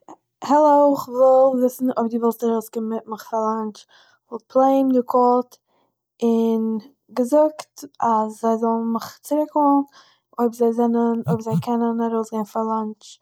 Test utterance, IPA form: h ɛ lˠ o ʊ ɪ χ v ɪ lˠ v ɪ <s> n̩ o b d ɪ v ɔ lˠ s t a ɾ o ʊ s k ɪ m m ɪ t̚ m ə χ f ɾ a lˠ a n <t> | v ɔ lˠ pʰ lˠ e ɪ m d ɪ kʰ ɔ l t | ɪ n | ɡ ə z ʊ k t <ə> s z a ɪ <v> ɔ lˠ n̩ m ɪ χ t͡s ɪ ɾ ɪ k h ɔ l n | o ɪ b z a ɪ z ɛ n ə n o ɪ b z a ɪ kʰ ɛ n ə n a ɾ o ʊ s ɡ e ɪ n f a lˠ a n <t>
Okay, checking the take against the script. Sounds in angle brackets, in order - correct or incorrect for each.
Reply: correct, incorrect: t͡ʃ, incorrect: a, incorrect: z, incorrect: t͡ʃ

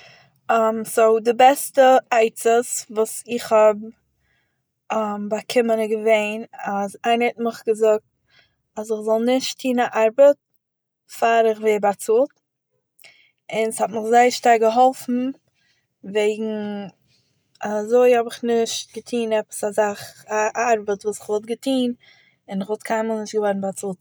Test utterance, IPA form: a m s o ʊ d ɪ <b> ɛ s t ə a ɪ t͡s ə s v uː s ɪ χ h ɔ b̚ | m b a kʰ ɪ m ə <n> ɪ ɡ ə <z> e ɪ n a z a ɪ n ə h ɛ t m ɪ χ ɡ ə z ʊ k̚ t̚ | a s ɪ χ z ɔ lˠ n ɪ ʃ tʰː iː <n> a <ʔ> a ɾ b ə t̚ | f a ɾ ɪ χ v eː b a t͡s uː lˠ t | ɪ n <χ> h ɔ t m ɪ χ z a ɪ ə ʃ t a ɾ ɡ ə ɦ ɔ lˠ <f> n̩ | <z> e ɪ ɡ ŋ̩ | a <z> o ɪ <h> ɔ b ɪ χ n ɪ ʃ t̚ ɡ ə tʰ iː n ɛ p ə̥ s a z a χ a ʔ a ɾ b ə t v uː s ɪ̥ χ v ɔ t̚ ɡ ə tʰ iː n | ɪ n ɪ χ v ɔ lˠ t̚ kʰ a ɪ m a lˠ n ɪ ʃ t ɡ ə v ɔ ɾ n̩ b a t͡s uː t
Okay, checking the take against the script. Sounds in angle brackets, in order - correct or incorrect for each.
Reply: correct, correct, incorrect: v, correct, correct, incorrect: s, correct, incorrect: v, correct, correct

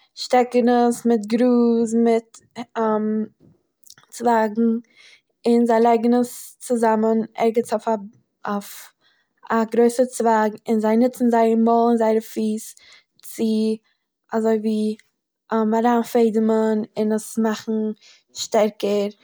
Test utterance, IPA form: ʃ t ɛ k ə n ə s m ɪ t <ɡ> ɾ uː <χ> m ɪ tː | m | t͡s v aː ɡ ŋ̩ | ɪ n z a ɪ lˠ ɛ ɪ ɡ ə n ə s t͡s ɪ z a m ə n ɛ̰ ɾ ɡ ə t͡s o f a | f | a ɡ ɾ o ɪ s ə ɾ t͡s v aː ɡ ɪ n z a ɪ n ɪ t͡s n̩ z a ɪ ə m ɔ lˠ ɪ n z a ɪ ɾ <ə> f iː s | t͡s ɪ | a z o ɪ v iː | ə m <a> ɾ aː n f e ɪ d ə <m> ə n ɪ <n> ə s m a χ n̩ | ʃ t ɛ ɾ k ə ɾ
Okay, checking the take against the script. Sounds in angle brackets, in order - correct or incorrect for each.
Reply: correct, incorrect: s, correct, correct, correct, correct

